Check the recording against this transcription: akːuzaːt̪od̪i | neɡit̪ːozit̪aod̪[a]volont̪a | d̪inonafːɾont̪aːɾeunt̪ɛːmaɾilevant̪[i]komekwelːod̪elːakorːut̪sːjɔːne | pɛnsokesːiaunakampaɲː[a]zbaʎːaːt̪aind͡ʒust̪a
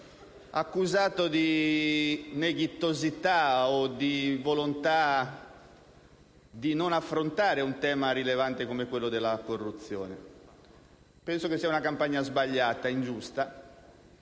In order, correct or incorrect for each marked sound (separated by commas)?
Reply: incorrect, incorrect, correct